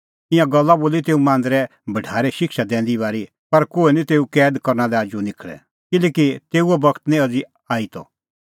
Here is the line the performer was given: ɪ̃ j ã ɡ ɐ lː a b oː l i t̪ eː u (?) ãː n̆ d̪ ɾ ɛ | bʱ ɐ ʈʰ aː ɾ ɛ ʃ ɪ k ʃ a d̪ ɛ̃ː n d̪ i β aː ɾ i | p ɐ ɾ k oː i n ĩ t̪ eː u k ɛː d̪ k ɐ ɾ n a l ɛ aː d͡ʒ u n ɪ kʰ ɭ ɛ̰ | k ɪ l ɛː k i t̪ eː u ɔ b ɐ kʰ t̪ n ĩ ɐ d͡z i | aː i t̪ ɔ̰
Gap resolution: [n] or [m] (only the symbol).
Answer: m